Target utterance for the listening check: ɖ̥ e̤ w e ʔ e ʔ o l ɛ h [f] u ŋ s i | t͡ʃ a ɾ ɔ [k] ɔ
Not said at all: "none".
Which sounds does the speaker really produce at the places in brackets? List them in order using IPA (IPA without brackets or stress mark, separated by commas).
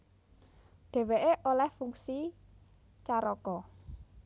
f, k